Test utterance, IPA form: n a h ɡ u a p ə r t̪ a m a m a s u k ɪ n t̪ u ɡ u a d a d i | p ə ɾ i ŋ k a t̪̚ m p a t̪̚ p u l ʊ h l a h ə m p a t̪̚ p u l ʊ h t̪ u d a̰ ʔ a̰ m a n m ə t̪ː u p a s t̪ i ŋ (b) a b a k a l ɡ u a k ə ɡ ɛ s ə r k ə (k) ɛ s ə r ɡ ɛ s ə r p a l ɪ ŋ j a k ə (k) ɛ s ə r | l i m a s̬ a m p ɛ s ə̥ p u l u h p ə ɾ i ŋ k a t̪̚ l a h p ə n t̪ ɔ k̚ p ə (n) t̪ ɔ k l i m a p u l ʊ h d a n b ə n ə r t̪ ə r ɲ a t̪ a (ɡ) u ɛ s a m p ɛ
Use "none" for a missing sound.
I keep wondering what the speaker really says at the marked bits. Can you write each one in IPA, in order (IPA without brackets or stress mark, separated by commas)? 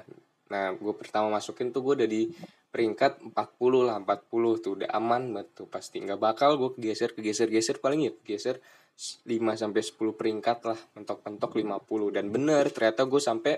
ɡ, ɡ, ɡ, n, ɡ